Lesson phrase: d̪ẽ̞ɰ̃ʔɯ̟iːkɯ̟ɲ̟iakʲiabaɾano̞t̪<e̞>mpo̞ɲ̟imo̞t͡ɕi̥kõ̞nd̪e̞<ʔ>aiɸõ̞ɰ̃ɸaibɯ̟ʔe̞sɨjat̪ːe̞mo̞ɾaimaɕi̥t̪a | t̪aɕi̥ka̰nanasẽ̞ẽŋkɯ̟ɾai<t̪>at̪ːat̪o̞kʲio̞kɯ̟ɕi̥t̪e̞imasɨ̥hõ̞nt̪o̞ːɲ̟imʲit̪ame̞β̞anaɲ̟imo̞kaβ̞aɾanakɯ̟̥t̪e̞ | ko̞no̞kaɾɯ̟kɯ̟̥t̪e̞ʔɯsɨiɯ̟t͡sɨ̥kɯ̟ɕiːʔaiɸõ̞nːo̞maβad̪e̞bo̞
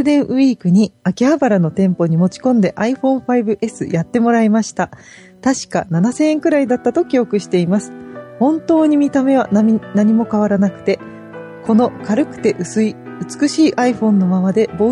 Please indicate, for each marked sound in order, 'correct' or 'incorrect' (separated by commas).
incorrect, correct, incorrect